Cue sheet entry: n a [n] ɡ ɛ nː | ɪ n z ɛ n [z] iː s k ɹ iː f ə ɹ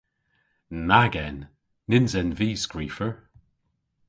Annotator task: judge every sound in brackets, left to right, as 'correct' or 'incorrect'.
incorrect: none, incorrect: v

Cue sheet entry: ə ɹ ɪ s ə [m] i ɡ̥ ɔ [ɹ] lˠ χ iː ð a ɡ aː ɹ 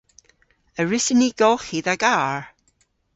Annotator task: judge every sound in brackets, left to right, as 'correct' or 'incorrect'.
incorrect: n, incorrect: none

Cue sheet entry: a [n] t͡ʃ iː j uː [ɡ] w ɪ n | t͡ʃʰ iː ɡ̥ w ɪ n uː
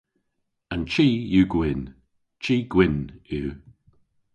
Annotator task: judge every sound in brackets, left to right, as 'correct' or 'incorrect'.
correct, correct

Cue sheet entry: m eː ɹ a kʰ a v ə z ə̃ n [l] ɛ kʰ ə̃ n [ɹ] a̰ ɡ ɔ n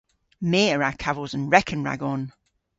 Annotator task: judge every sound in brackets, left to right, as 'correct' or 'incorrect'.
incorrect: ɹ, correct

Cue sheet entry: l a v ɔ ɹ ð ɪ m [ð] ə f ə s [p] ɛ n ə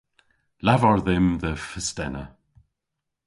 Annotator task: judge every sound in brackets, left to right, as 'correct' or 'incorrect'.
correct, incorrect: t

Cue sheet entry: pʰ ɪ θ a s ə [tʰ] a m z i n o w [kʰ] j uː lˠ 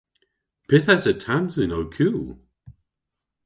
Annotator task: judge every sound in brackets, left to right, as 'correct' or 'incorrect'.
correct, correct

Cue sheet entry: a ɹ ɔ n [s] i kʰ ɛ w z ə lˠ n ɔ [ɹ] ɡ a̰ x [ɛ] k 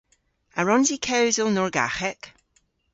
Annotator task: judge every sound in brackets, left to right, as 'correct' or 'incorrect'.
incorrect: z, correct, correct

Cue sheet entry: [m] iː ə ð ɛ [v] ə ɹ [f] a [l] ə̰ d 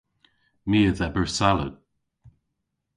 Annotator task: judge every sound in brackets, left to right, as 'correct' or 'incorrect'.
correct, incorrect: b, incorrect: s, correct

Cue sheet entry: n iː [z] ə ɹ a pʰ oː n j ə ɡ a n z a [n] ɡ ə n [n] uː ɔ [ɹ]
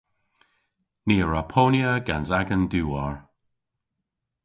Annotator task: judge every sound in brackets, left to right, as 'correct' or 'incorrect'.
incorrect: none, incorrect: none, incorrect: d, correct

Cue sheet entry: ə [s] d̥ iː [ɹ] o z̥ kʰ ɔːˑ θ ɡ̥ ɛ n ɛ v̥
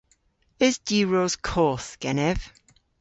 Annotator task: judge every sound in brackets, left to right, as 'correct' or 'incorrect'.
incorrect: z, correct

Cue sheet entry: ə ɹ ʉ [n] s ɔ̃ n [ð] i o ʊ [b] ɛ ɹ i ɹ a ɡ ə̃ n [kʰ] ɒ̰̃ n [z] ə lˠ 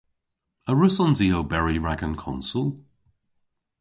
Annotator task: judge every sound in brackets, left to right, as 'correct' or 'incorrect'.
incorrect: none, incorrect: z, correct, correct, incorrect: s

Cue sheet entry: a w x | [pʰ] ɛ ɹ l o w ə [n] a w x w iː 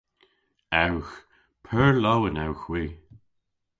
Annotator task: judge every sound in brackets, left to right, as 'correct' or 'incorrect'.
correct, correct

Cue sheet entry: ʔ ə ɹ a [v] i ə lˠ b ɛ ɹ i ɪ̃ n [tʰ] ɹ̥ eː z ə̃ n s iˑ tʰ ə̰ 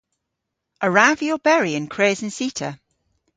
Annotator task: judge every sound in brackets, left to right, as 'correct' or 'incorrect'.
correct, incorrect: kʰ

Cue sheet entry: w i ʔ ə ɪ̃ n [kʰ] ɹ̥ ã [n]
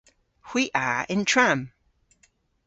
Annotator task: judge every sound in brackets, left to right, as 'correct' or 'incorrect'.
incorrect: tʰ, incorrect: m

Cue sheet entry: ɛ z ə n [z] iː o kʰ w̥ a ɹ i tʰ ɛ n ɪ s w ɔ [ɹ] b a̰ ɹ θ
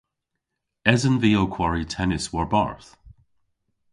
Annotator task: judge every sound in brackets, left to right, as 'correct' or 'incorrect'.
incorrect: v, correct

